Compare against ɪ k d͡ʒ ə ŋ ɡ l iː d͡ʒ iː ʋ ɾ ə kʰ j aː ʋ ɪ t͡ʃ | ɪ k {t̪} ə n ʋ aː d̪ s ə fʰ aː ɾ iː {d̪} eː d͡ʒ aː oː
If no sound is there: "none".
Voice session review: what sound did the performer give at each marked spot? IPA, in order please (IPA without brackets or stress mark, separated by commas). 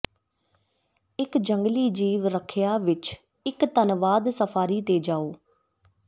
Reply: t̪, t̪